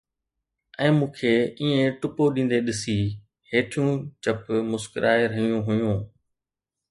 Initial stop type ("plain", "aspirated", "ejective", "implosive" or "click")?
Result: aspirated